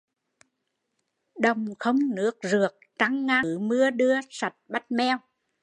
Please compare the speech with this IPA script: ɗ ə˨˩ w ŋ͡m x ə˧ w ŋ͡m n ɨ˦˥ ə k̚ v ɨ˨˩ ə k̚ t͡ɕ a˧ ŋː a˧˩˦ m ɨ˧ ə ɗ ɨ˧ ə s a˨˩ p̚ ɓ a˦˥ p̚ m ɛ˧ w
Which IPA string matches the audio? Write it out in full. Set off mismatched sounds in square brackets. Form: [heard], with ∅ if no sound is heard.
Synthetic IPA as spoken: ɗ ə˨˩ w ŋ͡m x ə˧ w ŋ͡m n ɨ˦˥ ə k̚ [z] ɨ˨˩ ə k̚ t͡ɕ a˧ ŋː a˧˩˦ m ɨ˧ ə ɗ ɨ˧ ə s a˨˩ [t̚] ɓ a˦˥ [t̚] m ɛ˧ w